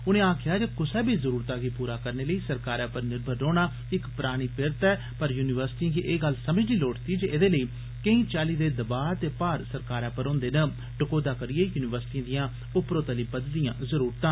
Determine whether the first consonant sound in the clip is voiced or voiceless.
voiced